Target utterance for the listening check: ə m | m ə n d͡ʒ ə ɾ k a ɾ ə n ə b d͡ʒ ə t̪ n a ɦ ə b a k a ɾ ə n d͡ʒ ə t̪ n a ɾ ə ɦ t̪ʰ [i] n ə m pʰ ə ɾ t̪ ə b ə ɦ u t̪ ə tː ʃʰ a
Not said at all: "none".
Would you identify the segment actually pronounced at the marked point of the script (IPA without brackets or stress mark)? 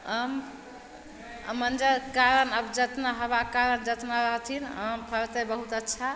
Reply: i